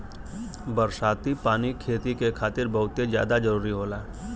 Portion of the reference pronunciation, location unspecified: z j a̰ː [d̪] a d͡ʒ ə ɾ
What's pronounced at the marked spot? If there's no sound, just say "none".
d̪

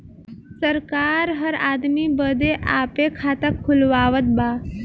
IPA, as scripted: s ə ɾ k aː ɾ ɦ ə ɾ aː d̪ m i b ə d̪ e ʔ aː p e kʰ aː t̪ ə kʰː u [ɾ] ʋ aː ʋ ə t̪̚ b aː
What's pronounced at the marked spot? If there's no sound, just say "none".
l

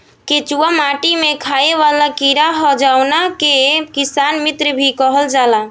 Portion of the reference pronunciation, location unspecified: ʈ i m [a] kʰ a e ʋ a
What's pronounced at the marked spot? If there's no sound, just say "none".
e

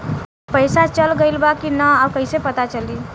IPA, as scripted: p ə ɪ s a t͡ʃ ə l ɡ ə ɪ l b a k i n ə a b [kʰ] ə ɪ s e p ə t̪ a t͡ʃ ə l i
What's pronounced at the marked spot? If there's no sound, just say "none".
k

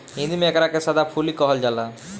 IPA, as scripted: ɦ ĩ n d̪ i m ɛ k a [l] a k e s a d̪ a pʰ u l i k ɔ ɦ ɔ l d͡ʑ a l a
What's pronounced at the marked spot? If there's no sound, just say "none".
ɾ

